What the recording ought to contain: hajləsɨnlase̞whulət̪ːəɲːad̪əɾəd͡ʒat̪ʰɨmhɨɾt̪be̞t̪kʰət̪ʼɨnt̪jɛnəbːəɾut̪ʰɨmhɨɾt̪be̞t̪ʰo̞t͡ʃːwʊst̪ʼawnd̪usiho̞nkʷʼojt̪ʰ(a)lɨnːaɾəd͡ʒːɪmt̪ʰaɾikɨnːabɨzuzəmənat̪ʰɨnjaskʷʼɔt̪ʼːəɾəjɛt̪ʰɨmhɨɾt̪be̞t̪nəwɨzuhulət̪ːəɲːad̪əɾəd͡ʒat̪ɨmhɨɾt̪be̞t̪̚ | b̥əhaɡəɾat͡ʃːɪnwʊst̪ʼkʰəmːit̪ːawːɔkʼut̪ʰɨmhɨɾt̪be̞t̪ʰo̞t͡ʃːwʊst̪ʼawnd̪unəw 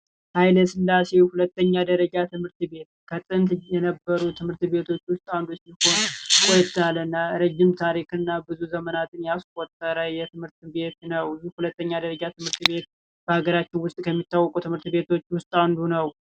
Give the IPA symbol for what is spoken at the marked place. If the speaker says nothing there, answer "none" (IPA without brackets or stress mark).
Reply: a